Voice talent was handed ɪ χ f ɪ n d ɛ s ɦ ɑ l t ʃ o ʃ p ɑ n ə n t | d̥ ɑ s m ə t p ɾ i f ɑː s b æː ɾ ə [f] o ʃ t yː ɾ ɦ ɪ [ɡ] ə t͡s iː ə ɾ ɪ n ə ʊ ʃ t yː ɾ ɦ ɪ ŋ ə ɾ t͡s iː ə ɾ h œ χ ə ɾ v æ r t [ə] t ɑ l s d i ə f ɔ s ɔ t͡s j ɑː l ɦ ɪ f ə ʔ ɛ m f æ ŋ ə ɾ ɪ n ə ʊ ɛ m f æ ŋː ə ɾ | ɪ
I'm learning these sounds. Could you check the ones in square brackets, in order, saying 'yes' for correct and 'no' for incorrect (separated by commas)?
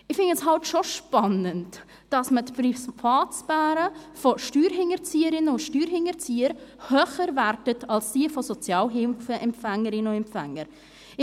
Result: yes, no, yes